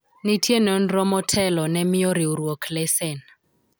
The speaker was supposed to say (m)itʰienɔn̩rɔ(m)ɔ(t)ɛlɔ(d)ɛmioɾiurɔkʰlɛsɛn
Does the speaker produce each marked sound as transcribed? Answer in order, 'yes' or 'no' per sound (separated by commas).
no, yes, no, no